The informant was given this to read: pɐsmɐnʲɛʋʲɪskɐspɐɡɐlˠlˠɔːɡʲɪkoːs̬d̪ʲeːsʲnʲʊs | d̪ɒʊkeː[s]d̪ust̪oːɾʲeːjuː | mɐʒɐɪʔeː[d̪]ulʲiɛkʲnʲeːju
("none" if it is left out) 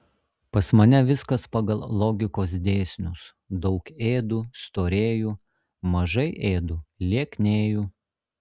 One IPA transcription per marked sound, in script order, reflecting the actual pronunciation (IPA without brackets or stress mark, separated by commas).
none, d̪